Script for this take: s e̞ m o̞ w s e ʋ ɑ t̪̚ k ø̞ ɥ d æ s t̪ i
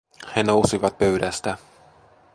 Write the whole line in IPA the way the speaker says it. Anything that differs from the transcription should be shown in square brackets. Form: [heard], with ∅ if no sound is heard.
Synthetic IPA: [h] e̞ [n] o̞ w s [i] ʋ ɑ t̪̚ [p] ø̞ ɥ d æ s t̪ [æ]